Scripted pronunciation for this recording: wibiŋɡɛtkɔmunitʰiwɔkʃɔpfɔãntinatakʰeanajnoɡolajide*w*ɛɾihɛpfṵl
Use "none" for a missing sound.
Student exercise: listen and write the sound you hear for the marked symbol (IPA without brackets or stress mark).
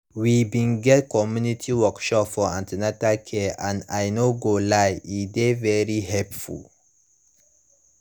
v